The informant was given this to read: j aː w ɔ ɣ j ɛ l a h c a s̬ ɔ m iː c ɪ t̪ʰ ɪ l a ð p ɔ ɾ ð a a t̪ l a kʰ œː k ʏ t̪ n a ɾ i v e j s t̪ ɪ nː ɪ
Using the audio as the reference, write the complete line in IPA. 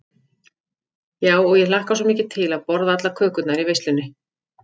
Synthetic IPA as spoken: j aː w ɔ ɣ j ɛ l a h k a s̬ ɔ m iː c ɪ t̪ʰ ɪ l a ð p ɔ ɾ ð a a t̪ l a kʰ œː k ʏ t̪ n a ɾ i v e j s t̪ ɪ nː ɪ

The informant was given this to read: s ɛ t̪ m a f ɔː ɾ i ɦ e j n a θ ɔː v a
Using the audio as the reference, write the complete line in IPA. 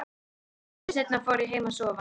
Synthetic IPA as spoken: s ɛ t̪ n a f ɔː ɾ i ɦ e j m a s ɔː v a

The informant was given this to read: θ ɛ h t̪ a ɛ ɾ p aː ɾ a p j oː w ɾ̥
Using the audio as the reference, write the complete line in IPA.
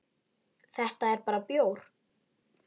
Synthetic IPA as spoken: θ ɛ h t̪ a ɛ ɾ p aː ɾ a p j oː w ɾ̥

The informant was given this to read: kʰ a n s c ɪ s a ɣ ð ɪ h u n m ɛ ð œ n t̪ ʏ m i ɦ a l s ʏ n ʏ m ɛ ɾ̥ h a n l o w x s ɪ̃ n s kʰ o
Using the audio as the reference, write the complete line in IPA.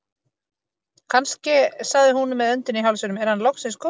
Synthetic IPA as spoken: kʰ a n s c ɪ s a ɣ ð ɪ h u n m ɛ ð œ n t̪ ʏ n i ɦ a l s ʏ n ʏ m ɛ ɾ̥ h a n l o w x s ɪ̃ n s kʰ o

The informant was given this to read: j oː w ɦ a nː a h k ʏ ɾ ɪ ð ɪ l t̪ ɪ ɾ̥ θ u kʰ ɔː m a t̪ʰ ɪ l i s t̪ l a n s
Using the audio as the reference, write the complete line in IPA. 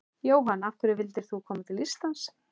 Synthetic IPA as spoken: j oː w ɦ a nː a f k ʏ ɾ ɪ v ɪ l t̪ ɪ ɾ̥ θ u kʰ ɔː m a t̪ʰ ɪ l i s t̪ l a n s

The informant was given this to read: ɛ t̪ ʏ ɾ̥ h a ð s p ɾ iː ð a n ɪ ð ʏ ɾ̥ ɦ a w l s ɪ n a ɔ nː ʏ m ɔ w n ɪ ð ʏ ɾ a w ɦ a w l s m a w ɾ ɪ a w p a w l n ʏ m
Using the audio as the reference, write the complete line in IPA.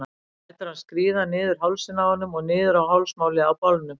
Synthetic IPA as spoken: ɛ t̪ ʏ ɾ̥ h a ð s k ɾ iː ð a n ɪː ð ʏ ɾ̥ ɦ a w l s ɪ n a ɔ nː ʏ m ɔ ɣ n ɪː ð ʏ ɾ a w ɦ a w l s m a w l ɪ a w p a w l n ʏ m

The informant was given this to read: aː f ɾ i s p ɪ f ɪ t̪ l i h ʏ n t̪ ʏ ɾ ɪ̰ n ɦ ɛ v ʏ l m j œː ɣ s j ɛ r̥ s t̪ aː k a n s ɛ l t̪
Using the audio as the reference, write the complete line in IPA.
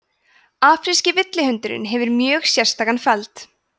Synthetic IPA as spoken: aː f ɾ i s c ɪ v ɪ t̪ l ɪ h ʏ n t̪ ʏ ɾ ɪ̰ n ɦ ɛ v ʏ ɾ m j œː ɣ s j ɛ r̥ s t̪ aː k a n f ɛ l t̪

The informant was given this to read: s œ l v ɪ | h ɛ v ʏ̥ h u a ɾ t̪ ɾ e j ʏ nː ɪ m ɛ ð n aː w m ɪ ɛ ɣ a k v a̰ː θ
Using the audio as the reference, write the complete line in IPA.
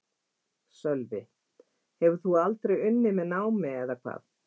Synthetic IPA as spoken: s œ l v ɪ | h ɛ v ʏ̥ θ u a l t̪ ɾ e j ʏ nː ɪ m ɛ ð n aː w m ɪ ɛ ð a kʰ v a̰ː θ

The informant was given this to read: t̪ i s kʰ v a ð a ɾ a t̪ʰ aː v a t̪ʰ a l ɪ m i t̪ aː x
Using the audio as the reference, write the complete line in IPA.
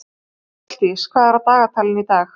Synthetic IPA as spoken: t̪ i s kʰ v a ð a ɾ a t̪ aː ɣ a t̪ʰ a l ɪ n i t̪ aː x

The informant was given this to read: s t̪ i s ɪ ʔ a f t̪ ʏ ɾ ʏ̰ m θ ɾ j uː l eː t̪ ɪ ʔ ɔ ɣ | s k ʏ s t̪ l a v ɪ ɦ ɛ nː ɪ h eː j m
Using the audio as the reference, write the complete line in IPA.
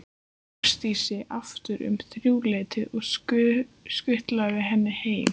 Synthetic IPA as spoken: s t̪ i s ɪ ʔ a f t̪ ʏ ɾ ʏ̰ m θ ɾ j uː l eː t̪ ɪ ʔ ɔ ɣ | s k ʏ h t̪ l a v ɪ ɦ ɛ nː ɪ h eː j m

